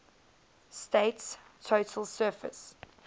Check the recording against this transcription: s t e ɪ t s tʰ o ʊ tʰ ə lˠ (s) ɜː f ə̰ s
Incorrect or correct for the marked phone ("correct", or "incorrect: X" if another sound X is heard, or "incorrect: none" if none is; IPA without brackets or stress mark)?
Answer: correct